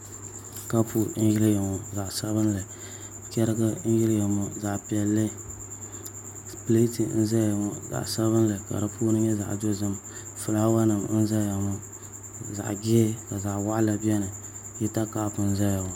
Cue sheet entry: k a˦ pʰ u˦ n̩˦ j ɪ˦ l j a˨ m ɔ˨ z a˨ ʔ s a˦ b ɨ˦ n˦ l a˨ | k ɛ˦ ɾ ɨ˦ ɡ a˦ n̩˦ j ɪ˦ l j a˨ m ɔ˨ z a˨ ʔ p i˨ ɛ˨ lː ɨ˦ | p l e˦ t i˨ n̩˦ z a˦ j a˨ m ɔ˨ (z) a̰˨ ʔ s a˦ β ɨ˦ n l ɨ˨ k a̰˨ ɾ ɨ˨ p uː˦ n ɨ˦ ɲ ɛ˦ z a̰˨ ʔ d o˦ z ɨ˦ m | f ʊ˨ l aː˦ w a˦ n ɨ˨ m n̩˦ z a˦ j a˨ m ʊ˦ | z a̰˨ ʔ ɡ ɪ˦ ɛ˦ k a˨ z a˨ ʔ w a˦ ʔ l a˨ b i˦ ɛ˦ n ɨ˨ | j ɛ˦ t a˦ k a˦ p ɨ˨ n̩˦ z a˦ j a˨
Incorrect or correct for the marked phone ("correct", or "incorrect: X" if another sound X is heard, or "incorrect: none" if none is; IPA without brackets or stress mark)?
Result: correct